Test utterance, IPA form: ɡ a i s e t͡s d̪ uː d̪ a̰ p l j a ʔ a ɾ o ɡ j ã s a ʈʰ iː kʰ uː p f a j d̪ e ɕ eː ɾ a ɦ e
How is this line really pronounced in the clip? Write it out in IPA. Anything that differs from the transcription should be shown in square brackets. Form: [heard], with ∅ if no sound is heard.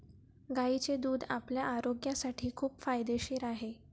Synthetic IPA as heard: ɡ a i [t͡s] e [∅] d̪ uː d̪ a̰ p l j a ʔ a ɾ o ɡ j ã s a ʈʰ iː kʰ uː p f a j d̪ e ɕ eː ɾ a ɦ e